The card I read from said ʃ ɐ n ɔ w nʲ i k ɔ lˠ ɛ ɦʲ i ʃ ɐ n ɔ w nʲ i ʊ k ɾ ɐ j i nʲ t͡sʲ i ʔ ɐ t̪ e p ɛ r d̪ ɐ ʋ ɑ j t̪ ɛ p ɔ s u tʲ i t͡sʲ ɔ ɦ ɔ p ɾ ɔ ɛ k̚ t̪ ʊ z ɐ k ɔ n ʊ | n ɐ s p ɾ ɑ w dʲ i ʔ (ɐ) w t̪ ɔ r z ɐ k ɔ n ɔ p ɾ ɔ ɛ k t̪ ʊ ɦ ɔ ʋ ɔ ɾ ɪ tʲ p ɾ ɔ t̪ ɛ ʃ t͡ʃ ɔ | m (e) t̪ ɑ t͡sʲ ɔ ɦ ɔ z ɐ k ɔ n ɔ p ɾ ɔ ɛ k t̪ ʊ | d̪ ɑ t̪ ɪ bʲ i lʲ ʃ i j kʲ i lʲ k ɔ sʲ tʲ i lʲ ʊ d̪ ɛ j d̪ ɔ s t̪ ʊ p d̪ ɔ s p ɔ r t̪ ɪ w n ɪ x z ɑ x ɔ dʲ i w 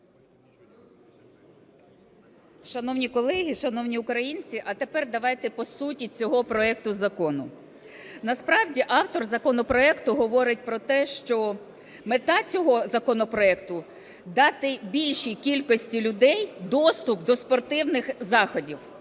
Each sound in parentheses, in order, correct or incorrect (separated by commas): incorrect, correct